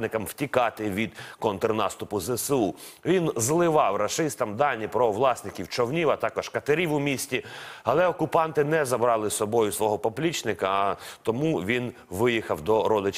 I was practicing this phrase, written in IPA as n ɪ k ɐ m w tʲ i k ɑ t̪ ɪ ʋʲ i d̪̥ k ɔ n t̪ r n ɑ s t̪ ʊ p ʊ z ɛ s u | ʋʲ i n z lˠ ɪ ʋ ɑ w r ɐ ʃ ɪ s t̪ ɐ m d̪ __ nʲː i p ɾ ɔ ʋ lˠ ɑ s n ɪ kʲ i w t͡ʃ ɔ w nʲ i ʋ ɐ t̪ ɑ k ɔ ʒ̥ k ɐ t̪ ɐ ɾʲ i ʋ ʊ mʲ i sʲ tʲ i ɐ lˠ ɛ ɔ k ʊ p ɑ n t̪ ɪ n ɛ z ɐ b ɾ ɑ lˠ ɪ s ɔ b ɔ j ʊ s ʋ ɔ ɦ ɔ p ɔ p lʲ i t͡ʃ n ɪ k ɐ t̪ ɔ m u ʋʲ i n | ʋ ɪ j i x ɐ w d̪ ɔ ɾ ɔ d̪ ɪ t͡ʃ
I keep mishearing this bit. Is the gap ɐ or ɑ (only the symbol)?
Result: ɑ